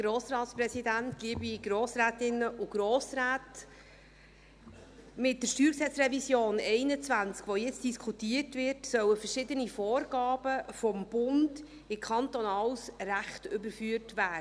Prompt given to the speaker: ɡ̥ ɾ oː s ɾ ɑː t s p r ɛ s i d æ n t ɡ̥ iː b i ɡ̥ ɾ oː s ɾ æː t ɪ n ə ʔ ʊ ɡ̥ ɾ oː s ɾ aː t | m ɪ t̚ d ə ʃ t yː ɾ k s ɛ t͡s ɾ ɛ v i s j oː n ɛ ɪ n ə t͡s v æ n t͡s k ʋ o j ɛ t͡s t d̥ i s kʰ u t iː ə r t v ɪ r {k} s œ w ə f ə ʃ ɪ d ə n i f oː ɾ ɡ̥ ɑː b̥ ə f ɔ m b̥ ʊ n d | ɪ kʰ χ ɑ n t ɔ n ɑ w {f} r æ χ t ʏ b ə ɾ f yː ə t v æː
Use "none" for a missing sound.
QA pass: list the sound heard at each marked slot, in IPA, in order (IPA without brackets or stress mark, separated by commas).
t, s